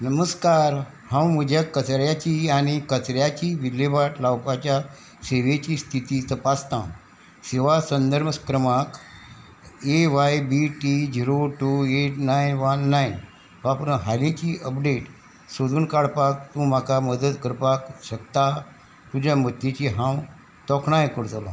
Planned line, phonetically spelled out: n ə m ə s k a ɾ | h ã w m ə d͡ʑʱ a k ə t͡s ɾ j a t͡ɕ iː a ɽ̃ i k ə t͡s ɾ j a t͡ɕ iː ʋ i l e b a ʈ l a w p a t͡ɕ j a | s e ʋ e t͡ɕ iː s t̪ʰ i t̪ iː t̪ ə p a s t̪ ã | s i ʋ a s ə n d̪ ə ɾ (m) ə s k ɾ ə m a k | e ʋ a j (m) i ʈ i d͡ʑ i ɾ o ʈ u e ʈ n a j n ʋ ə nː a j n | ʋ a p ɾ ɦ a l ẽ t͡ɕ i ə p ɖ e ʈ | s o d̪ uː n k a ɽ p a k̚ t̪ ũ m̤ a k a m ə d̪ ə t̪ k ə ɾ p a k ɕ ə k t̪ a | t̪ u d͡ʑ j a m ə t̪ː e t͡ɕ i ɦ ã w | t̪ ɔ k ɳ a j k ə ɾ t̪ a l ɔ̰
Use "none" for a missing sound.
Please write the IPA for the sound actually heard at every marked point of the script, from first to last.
m, b

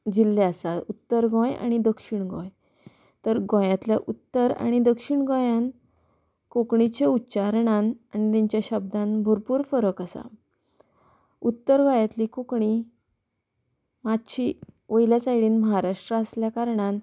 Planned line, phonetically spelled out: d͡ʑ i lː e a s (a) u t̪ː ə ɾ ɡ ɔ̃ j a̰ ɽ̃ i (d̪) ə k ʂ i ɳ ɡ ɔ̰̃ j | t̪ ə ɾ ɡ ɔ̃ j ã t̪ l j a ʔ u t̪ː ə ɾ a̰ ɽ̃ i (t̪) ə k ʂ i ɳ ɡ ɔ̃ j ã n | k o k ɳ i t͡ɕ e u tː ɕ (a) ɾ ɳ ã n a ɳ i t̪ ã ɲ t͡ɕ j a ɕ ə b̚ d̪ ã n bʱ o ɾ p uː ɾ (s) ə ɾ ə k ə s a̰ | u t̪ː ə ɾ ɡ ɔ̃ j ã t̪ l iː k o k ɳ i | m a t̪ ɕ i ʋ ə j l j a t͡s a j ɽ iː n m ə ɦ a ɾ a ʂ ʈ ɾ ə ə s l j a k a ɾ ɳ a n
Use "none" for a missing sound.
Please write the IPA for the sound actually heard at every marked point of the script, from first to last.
a, d̪, d̪, a, f

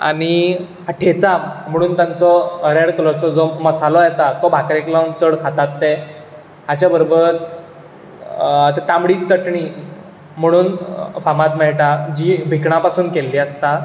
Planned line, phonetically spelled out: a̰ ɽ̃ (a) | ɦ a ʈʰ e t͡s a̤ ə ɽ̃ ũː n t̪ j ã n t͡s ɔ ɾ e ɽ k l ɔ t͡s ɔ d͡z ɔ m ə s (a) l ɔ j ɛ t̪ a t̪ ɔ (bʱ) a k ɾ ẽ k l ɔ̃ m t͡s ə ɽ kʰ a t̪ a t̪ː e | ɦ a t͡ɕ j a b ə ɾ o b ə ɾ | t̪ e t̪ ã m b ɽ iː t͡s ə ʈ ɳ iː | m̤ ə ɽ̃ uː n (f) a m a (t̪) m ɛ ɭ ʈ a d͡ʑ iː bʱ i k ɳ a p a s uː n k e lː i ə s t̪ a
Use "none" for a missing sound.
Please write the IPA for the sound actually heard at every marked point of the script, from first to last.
i, a, bʱ, f, t̪

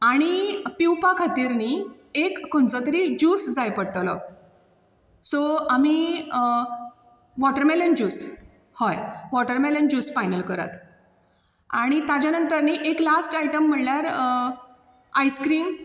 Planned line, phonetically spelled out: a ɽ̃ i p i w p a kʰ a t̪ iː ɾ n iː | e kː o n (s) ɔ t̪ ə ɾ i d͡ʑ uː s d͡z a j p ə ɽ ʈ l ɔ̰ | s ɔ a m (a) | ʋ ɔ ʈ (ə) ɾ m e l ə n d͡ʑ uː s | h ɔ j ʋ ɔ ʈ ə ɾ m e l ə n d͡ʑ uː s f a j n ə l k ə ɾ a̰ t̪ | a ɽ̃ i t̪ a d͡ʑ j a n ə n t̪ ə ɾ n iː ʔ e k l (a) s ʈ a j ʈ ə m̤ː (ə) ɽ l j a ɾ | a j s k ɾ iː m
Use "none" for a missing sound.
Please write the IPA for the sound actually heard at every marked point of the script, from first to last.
t͡s, i, ə, a, ə

